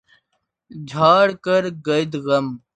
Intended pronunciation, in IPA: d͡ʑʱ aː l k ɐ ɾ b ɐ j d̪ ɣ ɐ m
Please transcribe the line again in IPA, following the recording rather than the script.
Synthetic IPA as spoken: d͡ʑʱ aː ɽ k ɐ ɾ ɡ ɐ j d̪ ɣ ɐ m